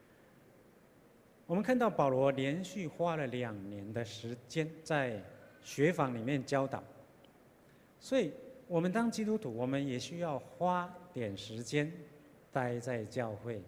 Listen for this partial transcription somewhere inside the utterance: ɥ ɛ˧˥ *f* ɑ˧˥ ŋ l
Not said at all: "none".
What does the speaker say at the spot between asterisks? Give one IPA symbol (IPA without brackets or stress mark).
f